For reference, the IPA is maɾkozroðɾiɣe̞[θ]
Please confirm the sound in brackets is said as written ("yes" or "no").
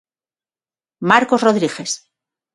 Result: no